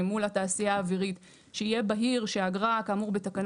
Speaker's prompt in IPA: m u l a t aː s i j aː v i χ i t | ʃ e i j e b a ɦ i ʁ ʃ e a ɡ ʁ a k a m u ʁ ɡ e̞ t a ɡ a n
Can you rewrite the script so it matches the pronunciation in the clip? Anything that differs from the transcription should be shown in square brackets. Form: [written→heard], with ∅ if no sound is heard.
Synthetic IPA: m u l a t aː s i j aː v i [χ→ʁ] i t | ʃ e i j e b a ɦ i ʁ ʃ e a ɡ ʁ a k a m u ʁ [ɡ→b] e̞ t a [ɡ→k] a n